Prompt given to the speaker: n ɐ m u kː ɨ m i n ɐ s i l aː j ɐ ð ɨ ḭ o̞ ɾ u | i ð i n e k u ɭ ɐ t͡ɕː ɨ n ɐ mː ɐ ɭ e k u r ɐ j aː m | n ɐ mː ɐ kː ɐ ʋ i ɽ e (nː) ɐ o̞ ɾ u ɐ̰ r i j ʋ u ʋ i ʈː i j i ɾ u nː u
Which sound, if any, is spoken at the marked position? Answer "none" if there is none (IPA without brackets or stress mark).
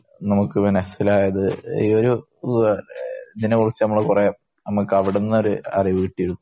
nː